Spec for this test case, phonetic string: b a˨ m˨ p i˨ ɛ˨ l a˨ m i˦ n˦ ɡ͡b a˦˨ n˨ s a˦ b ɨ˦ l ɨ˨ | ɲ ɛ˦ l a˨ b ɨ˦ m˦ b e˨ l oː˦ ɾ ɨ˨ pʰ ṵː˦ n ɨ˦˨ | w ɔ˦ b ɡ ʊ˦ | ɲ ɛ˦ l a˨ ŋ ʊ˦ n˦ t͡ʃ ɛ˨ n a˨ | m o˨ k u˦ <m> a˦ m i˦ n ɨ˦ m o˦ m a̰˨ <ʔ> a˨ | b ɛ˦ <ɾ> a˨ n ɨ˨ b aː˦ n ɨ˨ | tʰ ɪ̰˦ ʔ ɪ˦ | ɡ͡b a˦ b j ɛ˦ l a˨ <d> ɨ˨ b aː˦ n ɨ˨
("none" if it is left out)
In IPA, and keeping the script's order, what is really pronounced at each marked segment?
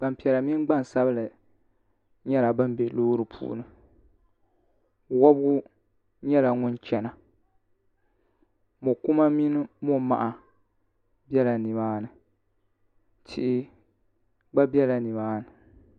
m, ʔ, l, n

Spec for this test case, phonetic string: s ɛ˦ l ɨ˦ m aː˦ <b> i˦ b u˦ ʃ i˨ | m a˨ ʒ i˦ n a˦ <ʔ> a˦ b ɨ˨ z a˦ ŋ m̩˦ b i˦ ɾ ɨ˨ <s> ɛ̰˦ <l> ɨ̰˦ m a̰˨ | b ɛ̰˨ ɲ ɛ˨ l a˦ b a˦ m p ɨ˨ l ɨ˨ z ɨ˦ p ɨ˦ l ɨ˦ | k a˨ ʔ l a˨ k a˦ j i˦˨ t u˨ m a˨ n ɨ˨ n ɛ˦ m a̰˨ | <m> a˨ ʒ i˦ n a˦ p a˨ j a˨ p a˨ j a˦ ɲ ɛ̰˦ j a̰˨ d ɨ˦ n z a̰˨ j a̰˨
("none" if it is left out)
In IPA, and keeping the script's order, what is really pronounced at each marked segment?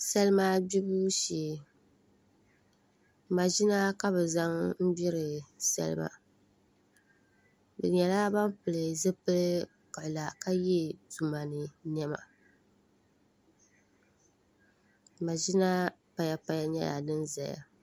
b, k, s, l, m

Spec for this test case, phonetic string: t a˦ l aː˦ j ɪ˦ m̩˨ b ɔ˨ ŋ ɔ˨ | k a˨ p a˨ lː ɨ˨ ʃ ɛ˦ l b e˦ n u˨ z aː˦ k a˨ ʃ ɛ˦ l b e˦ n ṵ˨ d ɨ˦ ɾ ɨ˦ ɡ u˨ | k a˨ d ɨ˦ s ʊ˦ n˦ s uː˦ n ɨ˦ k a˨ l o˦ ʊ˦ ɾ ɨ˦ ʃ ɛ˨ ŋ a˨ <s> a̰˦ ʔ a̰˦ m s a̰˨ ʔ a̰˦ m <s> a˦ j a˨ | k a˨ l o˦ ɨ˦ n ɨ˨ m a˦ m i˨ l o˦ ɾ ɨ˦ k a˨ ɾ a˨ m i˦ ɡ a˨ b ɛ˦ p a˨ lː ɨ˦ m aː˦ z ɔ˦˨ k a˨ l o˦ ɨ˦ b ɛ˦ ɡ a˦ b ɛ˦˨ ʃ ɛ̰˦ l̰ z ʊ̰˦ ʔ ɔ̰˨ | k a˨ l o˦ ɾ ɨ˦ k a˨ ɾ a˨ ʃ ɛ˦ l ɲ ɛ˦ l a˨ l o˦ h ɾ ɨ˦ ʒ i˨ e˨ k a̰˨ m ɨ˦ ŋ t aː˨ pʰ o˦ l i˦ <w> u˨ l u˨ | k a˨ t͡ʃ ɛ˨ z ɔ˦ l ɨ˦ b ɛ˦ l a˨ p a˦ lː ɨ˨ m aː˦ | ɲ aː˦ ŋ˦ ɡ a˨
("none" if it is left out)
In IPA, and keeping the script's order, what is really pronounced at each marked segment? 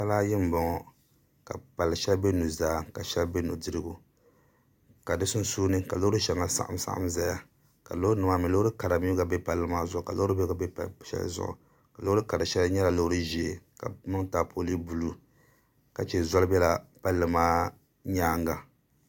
s, z, b

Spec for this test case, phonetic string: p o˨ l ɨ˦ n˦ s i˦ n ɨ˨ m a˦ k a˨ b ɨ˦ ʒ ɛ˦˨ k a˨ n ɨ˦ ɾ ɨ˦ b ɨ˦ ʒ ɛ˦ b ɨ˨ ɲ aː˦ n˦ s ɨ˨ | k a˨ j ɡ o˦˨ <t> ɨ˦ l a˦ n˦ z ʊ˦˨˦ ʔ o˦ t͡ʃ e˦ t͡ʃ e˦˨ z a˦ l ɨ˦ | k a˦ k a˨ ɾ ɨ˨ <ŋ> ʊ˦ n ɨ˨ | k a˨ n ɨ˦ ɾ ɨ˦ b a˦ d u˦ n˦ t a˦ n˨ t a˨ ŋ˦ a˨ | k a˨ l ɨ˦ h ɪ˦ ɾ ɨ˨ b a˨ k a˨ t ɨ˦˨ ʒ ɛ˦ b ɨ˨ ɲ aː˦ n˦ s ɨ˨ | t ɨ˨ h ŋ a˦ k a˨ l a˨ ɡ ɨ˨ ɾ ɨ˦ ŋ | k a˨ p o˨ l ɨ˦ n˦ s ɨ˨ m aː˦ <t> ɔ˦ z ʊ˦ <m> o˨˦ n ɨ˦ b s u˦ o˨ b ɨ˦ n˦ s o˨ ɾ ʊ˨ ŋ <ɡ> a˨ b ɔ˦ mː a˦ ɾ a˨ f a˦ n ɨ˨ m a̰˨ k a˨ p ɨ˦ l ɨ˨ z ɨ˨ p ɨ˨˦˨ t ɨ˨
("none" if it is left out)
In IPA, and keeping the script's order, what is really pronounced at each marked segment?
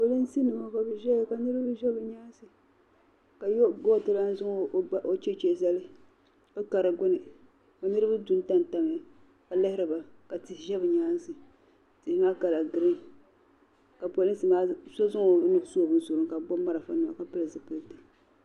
t, ɡ, s, ŋ, k

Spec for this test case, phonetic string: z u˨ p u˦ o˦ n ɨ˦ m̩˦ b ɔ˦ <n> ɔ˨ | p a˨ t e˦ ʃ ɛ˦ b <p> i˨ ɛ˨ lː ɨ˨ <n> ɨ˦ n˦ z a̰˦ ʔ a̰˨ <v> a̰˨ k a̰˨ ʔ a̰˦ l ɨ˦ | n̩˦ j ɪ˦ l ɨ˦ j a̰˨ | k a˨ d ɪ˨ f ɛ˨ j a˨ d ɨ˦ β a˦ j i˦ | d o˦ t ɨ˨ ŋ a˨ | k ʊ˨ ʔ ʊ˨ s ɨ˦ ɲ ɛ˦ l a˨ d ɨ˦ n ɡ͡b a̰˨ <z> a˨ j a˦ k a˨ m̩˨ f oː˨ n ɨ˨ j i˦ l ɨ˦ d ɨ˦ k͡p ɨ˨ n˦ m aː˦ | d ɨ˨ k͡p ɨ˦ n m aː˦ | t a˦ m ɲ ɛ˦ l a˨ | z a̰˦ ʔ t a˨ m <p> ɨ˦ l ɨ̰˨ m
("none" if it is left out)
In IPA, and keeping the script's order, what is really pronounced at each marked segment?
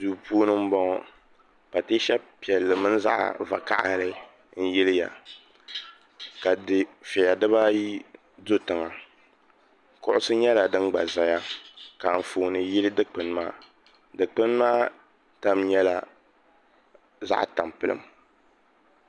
ŋ, p, m, v, z, p

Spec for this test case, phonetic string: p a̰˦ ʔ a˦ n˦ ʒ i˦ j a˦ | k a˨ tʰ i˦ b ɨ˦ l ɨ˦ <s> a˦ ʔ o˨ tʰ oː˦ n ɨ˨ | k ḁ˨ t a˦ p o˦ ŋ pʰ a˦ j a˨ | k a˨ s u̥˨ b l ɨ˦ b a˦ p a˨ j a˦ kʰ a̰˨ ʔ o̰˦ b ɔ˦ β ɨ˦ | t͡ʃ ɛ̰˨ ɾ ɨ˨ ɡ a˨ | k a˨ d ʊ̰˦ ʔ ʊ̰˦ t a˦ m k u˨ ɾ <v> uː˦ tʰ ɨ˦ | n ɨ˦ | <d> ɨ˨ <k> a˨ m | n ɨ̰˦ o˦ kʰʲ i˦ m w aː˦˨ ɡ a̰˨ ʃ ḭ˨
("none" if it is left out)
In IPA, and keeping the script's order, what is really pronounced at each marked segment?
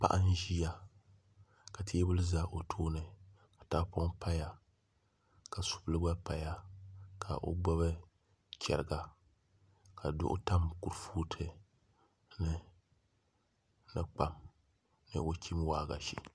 z, f, n, k͡p

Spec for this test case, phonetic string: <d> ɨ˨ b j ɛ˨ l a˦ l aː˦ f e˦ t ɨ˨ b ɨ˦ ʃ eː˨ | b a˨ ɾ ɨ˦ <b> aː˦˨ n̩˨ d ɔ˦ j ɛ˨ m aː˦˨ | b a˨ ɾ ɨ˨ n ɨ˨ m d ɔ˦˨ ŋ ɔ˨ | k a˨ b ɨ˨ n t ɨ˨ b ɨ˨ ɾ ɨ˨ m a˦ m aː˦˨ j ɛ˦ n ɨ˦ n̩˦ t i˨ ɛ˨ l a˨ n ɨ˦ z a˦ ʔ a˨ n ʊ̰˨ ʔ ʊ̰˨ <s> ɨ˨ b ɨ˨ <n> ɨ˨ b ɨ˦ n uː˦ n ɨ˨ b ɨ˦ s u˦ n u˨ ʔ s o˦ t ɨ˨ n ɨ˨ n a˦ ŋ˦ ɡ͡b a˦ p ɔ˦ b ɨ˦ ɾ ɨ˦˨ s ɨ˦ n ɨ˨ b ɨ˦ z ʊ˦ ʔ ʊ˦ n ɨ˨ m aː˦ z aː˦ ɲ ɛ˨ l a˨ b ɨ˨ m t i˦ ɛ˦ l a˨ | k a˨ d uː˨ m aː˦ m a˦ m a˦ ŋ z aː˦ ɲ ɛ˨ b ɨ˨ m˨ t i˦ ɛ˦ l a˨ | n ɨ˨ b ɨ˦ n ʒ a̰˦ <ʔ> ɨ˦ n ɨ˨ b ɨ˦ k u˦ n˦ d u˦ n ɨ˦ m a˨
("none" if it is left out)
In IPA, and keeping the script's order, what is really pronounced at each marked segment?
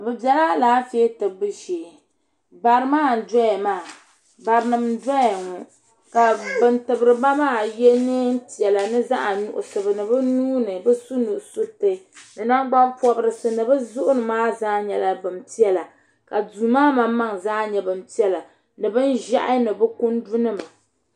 b, m, s, n, ʔ

